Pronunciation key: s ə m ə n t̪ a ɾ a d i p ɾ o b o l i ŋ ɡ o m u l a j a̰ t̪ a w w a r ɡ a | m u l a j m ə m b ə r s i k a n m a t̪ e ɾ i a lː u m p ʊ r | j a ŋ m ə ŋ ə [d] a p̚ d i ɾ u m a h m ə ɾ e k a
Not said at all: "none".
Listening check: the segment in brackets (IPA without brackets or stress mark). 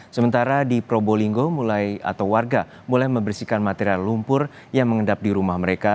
d